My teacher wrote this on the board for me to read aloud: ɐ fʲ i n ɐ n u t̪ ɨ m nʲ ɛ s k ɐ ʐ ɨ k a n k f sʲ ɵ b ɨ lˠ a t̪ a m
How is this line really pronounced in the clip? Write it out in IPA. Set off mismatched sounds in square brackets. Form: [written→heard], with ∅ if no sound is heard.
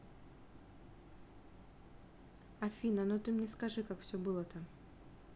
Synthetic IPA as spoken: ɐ fʲ i n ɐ n [u→o] t̪ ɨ m nʲ ɛ s k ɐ ʐ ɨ k a [n→∅] k f sʲ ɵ b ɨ lˠ [a→ə] t̪ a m